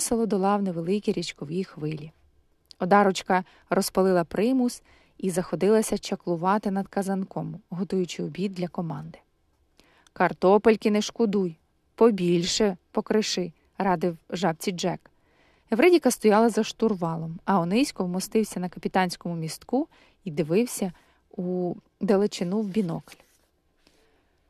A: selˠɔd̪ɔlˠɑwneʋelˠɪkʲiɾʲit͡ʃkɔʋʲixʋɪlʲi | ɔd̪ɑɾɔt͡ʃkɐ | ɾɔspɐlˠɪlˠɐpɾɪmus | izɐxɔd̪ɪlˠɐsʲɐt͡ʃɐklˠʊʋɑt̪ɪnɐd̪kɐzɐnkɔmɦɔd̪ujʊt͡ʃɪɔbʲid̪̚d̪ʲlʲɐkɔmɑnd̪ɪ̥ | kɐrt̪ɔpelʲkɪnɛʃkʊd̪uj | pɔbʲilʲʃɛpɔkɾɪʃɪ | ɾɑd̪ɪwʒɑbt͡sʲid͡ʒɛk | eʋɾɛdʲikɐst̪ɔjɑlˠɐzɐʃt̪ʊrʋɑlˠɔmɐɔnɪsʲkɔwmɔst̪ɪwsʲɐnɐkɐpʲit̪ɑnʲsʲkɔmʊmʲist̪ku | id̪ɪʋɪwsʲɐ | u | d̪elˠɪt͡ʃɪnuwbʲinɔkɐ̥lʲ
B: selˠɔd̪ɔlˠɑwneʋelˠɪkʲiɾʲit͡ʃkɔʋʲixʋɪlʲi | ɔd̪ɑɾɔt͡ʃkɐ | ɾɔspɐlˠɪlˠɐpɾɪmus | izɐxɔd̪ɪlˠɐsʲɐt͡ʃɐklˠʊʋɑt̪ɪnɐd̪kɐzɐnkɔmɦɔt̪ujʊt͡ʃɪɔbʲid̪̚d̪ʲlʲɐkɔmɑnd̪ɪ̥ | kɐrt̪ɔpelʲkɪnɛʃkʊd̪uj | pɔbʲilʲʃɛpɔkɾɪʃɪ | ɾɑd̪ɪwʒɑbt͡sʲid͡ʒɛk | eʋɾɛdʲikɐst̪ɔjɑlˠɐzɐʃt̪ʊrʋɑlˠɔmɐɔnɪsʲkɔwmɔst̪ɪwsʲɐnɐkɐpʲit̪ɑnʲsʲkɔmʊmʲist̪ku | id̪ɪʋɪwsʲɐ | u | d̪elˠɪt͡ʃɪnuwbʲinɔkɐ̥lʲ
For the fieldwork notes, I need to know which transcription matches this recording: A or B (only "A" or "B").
B